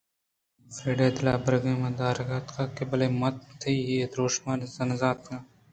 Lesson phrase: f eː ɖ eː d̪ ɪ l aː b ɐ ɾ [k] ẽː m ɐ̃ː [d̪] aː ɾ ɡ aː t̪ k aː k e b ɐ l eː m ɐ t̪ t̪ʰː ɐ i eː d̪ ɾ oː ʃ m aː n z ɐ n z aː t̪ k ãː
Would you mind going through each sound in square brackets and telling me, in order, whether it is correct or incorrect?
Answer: incorrect, correct

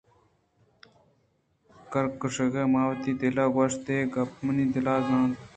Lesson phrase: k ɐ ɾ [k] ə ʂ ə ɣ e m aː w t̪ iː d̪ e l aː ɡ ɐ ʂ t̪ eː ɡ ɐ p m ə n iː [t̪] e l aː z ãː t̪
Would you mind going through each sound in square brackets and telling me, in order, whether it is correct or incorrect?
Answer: correct, incorrect

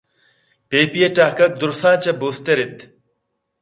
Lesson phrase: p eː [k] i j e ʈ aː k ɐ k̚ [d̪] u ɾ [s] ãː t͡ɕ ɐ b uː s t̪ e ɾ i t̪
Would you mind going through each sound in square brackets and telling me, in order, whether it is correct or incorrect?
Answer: incorrect, correct, correct

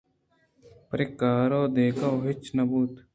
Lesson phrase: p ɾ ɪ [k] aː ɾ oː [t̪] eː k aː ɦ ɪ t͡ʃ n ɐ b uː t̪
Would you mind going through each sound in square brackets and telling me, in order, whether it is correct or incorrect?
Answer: correct, incorrect

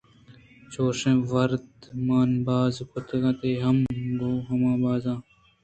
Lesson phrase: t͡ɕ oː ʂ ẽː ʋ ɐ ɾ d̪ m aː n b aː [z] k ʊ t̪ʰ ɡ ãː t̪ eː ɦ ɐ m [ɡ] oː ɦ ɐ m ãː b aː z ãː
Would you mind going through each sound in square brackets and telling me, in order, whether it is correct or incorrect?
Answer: correct, incorrect

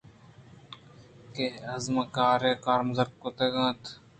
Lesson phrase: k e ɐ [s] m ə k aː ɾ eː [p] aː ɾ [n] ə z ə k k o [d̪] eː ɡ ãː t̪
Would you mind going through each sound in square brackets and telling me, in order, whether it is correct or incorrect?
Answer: incorrect, incorrect, incorrect, incorrect

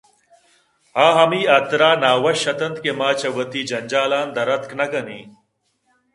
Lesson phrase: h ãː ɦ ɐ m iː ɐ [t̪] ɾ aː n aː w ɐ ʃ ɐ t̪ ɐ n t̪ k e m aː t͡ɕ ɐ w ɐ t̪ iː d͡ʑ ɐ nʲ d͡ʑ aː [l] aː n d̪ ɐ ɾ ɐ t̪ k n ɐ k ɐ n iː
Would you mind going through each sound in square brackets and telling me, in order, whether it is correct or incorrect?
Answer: correct, correct

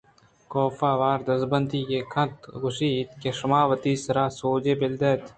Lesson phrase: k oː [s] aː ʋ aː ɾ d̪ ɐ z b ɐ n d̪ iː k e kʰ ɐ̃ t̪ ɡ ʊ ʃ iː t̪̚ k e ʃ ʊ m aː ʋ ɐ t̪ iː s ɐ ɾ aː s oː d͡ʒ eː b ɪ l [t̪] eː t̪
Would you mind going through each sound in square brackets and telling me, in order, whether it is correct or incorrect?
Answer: incorrect, incorrect

